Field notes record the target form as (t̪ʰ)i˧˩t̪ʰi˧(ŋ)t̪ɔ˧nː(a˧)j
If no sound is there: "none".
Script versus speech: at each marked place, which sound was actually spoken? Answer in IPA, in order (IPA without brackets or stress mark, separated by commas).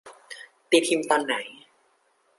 t̪, m, a˩˦